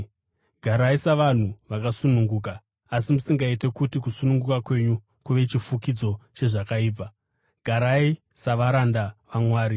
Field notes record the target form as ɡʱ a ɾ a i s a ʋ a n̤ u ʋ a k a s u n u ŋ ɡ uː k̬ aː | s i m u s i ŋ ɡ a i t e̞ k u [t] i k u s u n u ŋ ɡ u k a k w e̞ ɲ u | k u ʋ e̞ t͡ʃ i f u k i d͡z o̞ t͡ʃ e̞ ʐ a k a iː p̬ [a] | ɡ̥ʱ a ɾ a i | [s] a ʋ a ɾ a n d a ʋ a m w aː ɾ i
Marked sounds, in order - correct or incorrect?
correct, correct, correct

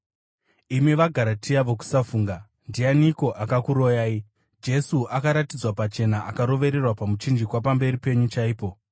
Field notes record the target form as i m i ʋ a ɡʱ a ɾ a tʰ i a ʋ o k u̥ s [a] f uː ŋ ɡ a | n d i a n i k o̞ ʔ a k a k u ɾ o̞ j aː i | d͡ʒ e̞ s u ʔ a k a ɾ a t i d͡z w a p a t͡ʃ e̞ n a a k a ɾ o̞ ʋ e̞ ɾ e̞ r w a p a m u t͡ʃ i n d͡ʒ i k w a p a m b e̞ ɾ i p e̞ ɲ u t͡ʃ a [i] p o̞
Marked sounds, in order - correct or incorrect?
correct, incorrect: iː

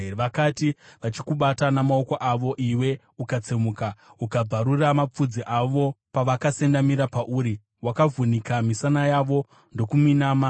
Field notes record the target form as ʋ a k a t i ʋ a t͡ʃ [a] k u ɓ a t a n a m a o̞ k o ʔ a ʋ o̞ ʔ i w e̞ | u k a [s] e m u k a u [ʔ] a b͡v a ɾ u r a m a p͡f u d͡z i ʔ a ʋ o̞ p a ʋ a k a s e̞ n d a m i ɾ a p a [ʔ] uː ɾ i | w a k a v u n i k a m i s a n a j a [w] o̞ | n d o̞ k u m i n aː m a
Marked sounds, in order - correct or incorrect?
incorrect: i, incorrect: t͡s, incorrect: k, correct, incorrect: ʋ

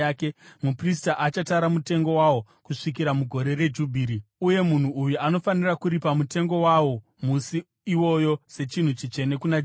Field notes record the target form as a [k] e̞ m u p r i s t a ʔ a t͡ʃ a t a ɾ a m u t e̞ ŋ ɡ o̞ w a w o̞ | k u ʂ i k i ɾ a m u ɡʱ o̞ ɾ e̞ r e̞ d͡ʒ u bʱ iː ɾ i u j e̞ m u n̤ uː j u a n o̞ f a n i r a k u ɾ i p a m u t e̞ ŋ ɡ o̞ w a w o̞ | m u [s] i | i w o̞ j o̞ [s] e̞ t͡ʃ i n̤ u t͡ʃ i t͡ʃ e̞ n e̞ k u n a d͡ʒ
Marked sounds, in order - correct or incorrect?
correct, correct, correct

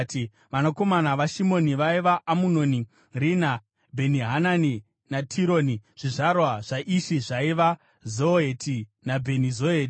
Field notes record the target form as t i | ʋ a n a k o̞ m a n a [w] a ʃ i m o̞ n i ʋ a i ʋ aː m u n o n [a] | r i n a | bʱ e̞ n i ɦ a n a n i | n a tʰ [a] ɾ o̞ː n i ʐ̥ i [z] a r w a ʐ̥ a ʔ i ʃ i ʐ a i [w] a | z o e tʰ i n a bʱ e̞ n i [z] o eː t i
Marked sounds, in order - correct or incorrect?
incorrect: ʋ, incorrect: i, incorrect: i, incorrect: ʐ, incorrect: ʋ, correct

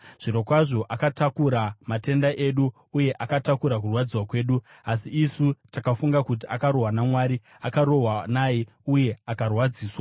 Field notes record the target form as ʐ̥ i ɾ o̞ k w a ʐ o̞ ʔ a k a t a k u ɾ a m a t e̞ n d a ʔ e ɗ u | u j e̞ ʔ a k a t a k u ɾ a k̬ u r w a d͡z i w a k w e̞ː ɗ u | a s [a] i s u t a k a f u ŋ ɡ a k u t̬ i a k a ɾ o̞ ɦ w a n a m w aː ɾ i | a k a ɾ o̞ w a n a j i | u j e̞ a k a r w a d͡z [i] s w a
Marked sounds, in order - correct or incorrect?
incorrect: i, incorrect: iː

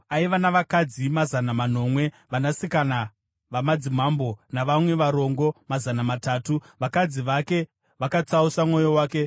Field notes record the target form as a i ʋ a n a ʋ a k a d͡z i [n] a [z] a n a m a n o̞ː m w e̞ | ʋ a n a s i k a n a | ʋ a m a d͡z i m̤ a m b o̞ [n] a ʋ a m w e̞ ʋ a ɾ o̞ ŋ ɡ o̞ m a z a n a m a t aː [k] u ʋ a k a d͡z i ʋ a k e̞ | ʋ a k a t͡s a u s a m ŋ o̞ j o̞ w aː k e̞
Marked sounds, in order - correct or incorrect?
incorrect: m, correct, correct, incorrect: t

